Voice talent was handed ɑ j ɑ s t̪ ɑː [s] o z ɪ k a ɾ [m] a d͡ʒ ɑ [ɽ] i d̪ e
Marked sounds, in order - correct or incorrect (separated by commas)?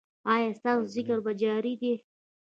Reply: correct, incorrect, incorrect